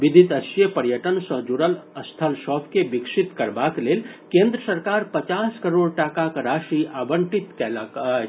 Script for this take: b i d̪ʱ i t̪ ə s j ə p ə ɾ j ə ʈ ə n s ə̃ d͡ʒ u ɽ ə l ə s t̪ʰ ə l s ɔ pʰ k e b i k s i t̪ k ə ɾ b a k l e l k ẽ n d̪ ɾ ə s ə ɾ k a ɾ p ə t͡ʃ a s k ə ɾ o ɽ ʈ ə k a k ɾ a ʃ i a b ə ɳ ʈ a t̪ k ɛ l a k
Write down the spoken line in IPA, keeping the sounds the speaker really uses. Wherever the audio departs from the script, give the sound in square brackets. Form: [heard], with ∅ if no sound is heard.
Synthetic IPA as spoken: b i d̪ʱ i t̪ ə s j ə p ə ɾ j ə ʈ ə n s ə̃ d͡ʒ u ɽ ə l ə s t̪ʰ ə l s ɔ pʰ k e b i k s i t̪ k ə ɾ b a k l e l k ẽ n d̪ ɾ ə s ə ɾ k a ɾ p ə t͡ʃ a s k ə ɾ o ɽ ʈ [a] k a k ɾ a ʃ i a b ə ɳ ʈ [i] t̪ k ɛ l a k